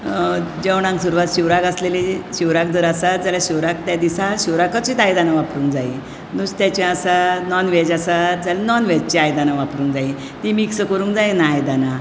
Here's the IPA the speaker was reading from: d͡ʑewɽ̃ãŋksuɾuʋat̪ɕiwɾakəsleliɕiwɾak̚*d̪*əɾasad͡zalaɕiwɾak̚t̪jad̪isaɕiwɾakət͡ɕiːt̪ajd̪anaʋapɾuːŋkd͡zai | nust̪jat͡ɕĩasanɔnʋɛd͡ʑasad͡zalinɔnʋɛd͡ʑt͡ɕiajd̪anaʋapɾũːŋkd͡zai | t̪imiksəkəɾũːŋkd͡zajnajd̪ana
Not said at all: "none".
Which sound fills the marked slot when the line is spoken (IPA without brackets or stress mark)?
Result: d̪